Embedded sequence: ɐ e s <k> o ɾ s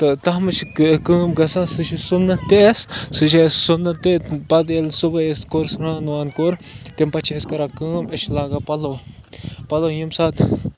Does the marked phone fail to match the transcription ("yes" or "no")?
no